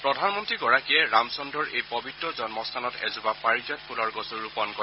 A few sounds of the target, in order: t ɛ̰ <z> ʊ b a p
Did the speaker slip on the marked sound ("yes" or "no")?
no